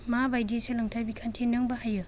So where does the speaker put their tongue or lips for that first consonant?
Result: lips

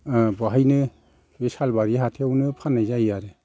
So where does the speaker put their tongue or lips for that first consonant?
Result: lips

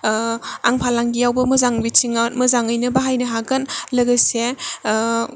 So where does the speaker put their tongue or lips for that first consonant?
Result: velum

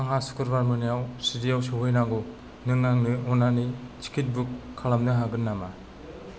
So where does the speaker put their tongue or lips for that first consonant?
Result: velum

